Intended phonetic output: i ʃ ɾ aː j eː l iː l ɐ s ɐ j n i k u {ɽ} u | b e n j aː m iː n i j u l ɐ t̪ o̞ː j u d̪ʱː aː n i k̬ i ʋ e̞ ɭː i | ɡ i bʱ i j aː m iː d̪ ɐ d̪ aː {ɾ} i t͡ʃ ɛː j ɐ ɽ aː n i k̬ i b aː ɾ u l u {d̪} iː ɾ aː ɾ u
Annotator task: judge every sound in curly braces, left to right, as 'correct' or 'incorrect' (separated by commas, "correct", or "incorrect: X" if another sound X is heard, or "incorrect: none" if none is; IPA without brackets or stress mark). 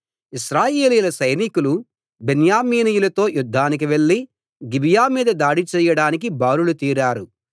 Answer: incorrect: l, incorrect: ɽ, incorrect: t̪